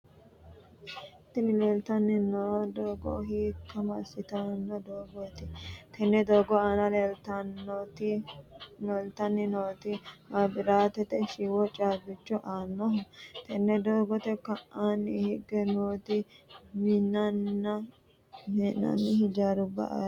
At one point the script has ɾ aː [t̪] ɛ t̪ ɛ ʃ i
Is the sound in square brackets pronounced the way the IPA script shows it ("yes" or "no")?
yes